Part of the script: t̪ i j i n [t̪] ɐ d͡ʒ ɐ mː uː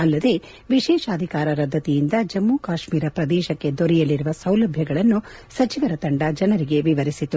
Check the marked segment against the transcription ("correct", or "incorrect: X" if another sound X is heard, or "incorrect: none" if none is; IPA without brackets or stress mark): incorrect: d̪